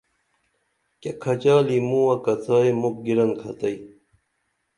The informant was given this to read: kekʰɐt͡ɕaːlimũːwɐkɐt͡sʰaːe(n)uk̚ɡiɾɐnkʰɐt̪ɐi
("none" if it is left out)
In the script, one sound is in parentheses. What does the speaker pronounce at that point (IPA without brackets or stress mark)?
m